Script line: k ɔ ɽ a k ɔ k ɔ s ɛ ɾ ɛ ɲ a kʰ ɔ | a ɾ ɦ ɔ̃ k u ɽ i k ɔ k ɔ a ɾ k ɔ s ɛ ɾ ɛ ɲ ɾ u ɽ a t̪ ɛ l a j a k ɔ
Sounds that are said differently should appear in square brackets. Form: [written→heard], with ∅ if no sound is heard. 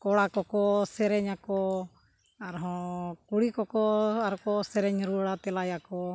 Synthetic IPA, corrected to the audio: k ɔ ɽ a k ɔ k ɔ s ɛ ɾ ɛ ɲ a [kʰ→k] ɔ | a ɾ ɦ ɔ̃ k u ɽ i k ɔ k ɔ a ɾ k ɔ s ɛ ɾ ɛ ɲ ɾ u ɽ a t̪ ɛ l a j a k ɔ